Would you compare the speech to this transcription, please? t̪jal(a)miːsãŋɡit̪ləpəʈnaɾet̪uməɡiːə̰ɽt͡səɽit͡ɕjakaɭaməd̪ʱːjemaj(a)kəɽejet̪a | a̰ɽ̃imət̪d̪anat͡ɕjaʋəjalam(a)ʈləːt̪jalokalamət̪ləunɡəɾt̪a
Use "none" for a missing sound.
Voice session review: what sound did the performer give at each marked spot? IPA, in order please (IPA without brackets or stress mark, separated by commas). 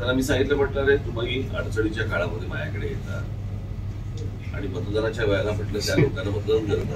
a, a, ə